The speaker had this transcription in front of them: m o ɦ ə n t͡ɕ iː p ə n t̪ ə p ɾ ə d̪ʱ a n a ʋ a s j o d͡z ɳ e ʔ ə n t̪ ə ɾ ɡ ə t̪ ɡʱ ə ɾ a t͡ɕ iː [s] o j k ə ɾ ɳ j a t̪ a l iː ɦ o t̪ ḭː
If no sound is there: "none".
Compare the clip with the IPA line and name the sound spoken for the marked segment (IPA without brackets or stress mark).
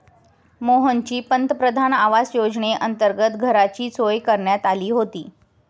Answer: t͡s